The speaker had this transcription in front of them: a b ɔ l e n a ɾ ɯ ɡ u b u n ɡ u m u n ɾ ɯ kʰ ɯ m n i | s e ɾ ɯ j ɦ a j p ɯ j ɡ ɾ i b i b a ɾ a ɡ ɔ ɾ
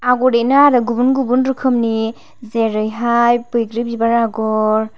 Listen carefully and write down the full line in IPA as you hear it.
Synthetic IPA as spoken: a ɡ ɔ ɾ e n a ɾ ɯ ɡ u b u n ɡ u b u n ɾ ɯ kʰ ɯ m n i | z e ɾ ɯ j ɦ a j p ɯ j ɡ ɾ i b i b a ɾ a ɡ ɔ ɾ